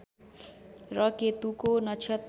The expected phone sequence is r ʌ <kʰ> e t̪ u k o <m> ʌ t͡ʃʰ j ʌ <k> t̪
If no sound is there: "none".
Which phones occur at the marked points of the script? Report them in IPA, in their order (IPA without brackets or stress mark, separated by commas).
k, n, none